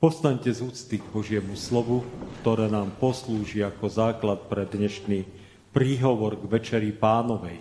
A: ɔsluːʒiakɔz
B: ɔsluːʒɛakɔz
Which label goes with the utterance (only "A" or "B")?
A